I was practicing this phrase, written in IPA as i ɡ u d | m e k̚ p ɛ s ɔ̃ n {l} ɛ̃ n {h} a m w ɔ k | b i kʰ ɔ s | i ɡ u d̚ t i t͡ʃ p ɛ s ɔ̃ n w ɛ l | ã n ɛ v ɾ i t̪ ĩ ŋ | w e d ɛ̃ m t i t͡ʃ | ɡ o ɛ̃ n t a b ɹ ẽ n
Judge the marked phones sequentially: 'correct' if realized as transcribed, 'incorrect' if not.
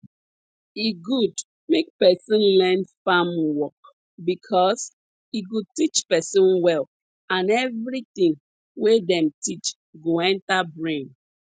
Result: correct, incorrect

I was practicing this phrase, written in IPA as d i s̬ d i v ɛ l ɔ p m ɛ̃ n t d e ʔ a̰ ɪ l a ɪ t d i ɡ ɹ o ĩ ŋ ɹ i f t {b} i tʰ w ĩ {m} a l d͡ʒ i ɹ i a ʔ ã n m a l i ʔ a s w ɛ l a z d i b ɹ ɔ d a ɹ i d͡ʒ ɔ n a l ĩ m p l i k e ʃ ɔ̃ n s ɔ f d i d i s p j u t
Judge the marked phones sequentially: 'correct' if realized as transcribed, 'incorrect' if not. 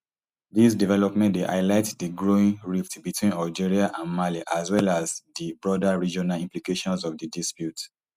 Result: correct, incorrect

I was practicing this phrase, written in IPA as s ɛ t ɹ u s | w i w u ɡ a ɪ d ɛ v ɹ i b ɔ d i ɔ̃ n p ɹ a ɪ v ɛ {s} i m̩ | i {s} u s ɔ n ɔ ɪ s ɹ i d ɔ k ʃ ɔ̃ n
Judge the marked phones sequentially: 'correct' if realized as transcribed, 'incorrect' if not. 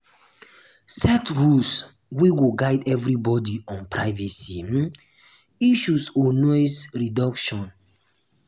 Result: correct, incorrect

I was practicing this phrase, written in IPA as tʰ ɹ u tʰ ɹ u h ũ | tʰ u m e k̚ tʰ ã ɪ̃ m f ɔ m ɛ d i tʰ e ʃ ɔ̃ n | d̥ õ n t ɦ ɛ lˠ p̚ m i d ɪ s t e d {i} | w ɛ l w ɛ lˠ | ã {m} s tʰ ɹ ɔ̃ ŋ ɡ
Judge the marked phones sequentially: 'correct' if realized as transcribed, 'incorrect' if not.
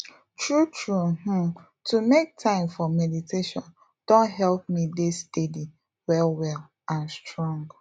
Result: correct, incorrect

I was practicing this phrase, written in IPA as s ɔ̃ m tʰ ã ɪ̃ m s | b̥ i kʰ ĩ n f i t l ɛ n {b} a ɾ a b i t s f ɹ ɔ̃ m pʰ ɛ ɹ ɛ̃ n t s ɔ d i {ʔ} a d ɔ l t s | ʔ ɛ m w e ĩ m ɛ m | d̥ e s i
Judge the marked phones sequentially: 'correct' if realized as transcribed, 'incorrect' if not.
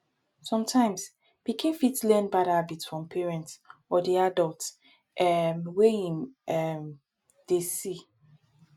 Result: correct, incorrect

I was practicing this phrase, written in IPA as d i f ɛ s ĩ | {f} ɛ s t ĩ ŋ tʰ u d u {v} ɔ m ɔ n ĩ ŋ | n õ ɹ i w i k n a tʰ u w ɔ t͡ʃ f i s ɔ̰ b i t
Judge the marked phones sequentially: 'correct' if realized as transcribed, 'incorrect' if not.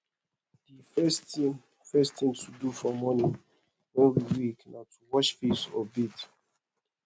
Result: correct, incorrect

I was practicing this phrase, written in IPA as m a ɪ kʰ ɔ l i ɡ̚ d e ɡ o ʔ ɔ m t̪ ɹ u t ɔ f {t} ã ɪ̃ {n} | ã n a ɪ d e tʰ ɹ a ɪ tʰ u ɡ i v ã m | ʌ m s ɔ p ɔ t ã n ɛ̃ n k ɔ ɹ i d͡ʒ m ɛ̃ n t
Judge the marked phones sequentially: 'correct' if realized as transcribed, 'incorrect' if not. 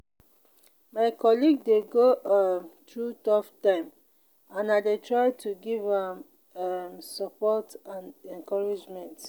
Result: correct, incorrect

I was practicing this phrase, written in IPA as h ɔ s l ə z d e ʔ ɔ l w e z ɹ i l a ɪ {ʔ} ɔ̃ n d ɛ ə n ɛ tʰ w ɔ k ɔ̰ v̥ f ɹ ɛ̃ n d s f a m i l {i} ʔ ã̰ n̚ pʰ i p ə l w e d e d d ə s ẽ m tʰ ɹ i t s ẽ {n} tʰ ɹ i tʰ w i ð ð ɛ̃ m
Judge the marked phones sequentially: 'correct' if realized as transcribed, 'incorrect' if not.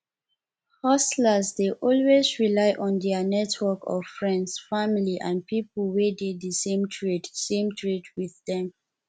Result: correct, correct, incorrect

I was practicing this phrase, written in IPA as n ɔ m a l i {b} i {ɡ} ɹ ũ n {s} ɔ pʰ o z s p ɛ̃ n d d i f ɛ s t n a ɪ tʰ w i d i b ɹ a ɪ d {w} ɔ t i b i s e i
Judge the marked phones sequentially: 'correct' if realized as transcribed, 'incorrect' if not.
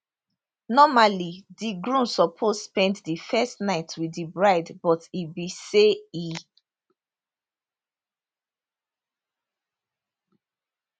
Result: incorrect, correct, correct, incorrect

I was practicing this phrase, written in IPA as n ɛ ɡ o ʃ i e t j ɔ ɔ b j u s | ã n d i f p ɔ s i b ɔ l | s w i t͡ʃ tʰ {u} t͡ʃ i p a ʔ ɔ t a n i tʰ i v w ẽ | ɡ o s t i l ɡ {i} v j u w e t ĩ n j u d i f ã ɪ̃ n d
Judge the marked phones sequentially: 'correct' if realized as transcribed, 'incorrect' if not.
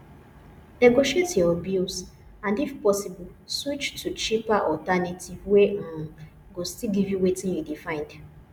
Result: correct, correct

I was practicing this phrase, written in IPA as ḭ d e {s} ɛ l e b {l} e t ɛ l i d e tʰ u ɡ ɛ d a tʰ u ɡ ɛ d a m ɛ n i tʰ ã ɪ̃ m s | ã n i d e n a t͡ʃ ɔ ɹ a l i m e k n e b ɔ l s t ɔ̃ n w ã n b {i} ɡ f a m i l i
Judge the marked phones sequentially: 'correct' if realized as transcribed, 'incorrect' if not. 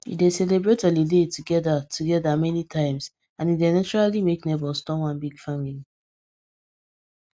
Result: correct, incorrect, correct

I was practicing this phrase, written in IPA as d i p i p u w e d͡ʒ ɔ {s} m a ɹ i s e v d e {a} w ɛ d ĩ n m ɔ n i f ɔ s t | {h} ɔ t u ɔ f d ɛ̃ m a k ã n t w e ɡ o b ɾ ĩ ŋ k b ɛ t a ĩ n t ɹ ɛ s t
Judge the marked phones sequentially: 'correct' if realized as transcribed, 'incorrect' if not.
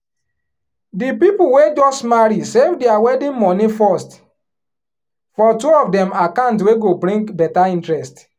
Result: correct, correct, incorrect

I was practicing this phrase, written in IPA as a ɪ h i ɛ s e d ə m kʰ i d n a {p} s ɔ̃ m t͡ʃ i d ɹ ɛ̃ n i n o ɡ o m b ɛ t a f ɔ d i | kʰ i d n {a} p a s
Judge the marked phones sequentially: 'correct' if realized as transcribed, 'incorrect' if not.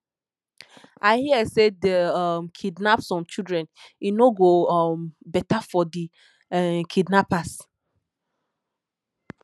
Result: correct, correct

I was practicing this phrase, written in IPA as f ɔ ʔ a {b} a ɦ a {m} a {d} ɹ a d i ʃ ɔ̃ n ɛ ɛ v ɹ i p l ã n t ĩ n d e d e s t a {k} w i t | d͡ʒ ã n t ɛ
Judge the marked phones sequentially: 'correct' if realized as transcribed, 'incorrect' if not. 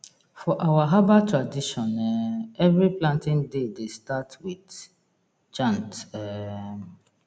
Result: incorrect, incorrect, incorrect, incorrect

